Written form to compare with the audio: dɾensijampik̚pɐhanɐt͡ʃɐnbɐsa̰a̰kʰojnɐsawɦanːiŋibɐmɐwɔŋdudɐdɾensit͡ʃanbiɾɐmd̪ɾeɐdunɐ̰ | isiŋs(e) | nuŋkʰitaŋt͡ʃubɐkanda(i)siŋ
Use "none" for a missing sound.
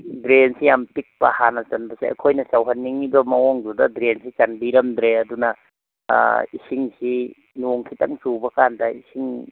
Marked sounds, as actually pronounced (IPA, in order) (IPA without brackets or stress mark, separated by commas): i, i